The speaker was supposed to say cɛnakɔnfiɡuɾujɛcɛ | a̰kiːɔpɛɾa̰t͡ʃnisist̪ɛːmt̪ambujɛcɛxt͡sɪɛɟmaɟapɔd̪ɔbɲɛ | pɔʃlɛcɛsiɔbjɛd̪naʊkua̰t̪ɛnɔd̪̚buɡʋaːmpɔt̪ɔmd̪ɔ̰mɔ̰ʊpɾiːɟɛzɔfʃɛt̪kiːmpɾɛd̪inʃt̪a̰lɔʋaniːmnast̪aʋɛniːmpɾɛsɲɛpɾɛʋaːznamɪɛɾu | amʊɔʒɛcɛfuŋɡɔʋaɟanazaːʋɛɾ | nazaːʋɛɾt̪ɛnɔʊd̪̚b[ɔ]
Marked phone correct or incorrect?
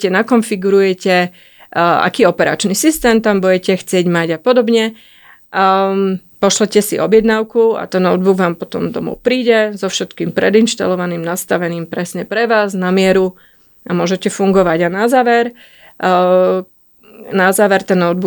incorrect